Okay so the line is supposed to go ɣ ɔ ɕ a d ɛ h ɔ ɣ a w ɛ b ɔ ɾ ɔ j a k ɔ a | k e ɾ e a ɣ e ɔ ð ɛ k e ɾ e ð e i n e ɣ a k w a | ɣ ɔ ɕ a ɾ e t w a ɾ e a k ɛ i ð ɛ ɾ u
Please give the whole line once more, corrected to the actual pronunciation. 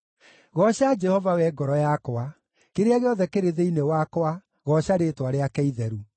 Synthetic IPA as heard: ɣ ɔ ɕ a d͡ʒ ɛ h ɔ v a w ɛ ɡ ɔ ɾ ɔ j a k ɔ a | k e ɾ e a ɣ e ɔ ð ɛ k e ɾ e ð e i n e w a k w a | ɣ ɔ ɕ a ɾ e t w a ɾ e a k ɛ i ð ɛ ɾ u